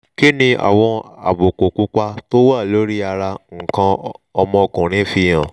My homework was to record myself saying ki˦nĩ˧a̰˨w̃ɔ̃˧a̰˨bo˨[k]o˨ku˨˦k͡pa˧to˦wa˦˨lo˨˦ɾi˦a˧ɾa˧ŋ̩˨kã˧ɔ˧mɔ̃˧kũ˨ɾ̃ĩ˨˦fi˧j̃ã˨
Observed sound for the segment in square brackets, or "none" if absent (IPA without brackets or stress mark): k